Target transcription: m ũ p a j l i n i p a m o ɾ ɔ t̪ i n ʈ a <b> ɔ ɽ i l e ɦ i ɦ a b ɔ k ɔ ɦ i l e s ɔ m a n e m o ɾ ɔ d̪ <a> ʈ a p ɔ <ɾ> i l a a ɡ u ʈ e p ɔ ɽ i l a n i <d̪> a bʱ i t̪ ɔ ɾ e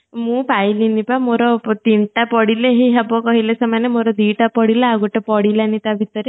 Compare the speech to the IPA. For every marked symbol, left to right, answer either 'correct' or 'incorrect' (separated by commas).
incorrect, incorrect, incorrect, incorrect